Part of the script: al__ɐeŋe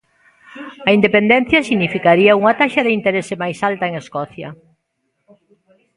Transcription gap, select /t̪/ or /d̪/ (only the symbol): t̪